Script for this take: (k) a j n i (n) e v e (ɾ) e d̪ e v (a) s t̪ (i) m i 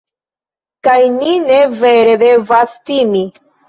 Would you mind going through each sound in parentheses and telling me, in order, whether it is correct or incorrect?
correct, correct, correct, correct, correct

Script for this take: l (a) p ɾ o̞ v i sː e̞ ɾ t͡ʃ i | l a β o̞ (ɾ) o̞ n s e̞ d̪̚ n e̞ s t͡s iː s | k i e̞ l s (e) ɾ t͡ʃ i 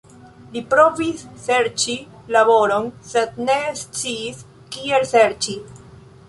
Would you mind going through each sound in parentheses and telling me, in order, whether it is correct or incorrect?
incorrect, correct, correct

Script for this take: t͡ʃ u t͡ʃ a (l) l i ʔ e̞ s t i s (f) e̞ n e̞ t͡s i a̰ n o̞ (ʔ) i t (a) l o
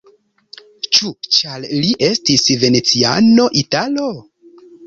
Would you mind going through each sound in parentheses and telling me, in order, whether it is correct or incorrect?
correct, incorrect, correct, correct

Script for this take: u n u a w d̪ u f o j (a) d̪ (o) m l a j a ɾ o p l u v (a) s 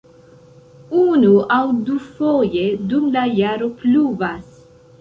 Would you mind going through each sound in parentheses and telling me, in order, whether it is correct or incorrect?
incorrect, incorrect, correct

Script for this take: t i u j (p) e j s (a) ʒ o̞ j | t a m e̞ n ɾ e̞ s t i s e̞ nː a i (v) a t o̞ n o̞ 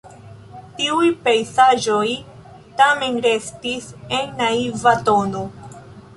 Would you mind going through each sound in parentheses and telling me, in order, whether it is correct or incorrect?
correct, correct, correct

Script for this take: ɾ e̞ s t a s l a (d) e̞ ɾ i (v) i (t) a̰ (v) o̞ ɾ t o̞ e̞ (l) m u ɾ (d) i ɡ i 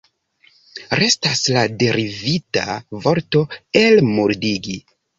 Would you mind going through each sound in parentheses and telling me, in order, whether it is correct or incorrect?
correct, correct, correct, correct, correct, correct

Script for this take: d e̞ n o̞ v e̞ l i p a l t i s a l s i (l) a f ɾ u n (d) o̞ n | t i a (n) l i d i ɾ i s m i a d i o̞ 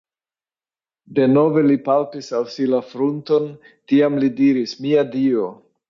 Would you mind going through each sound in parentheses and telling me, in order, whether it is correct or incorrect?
correct, incorrect, incorrect

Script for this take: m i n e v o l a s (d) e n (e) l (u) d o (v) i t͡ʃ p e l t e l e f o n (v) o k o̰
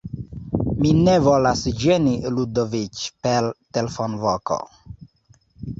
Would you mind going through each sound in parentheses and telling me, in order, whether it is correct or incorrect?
incorrect, incorrect, correct, correct, correct

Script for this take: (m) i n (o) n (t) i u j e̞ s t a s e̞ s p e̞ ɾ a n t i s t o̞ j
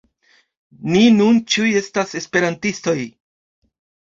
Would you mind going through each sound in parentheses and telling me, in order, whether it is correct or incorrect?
incorrect, incorrect, incorrect

